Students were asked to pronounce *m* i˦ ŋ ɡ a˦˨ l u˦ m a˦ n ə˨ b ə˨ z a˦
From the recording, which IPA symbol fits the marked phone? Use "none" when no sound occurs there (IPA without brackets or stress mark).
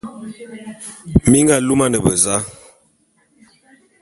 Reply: m